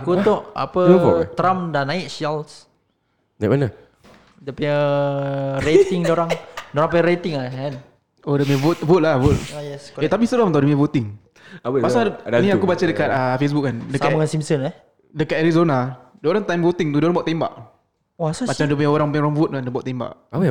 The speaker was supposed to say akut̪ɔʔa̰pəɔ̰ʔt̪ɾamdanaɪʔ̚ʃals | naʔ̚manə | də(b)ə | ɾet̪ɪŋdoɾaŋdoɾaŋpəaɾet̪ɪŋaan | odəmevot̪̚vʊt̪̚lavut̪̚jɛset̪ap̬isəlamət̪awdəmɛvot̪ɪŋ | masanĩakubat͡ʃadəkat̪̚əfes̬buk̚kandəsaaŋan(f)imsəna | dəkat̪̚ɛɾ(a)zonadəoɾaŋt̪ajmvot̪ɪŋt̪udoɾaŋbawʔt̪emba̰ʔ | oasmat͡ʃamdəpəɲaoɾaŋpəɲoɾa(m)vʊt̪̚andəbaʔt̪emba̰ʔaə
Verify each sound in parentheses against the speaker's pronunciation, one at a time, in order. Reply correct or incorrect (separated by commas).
incorrect, incorrect, incorrect, incorrect